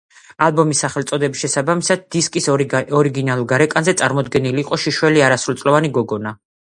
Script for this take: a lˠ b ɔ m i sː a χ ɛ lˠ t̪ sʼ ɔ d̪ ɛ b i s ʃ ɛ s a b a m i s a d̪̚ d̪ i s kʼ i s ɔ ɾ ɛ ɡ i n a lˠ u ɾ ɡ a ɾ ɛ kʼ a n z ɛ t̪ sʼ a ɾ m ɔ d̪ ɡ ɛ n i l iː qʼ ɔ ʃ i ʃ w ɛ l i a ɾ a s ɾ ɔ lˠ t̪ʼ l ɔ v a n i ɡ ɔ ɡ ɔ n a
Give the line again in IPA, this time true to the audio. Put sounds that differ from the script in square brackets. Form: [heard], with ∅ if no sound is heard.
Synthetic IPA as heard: a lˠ b ɔ m i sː a χ ɛ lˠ t̪ sʼ ɔ d̪ ɛ b i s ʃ ɛ s a b a m i s a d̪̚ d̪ i s kʼ i s ɔ ɾ [i] ɡ i n a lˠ u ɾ ɡ a ɾ ɛ kʼ a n z ɛ t̪ sʼ a ɾ m ɔ d̪ ɡ ɛ n i l iː qʼ ɔ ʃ i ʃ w ɛ l i a ɾ a s ɾ [u] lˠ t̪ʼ l ɔ v a n i ɡ ɔ ɡ ɔ n a